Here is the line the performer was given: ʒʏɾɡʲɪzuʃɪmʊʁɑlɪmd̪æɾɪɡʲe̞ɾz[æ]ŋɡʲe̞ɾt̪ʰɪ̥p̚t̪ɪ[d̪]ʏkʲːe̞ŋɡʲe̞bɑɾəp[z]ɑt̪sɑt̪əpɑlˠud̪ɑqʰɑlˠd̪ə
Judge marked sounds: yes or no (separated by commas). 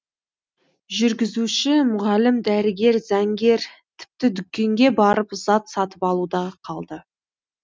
yes, yes, yes